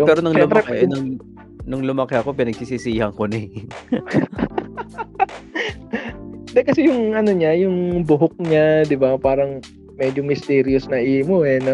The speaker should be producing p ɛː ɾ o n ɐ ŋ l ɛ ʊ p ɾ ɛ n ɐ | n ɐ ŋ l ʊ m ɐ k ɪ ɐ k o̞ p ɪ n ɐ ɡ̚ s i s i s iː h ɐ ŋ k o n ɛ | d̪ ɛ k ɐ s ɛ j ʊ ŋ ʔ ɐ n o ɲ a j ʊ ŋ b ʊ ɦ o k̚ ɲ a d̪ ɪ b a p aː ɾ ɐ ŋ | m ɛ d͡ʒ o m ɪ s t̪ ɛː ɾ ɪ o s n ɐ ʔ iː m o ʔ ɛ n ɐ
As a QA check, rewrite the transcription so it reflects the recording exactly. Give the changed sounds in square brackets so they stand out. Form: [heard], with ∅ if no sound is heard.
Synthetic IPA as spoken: p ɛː ɾ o n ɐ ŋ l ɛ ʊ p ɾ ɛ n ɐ | n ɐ ŋ l ʊ m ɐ k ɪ ɐ k o̞ p ɪ n ɐ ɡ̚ s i s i s iː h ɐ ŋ k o n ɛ | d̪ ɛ k ɐ s ɛ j ʊ ŋ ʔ ɐ n o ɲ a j ʊ ŋ b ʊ ɦ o k̚ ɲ a d̪ ɪ b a p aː ɾ ɐ ŋ | m ɛ d͡ʒ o m ɪ s t̪ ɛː ɾ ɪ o s n ɐ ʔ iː m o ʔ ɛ n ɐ